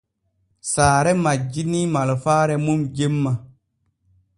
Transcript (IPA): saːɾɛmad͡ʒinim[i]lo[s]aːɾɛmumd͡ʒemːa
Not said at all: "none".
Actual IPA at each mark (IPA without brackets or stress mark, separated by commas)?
a, f